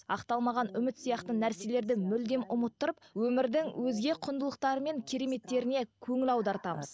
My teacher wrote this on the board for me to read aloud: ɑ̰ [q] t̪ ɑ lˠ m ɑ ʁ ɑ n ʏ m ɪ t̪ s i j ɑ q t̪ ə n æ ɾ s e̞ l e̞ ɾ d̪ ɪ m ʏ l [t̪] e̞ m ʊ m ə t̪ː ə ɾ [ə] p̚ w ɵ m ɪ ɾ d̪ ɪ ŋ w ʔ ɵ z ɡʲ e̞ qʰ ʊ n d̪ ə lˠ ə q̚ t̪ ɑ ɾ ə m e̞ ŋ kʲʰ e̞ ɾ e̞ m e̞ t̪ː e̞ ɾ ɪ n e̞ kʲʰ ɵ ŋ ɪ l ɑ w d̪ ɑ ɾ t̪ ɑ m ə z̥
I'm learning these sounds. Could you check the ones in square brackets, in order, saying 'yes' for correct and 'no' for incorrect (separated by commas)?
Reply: yes, no, yes